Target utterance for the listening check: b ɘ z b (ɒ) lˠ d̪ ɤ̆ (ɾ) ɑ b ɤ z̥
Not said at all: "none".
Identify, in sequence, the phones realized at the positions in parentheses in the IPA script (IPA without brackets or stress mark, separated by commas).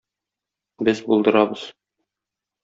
u, ɾ